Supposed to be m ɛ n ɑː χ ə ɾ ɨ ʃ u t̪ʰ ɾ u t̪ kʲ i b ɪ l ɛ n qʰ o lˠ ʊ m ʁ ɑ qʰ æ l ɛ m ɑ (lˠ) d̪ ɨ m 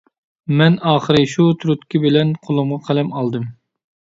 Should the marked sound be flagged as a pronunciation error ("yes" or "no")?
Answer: no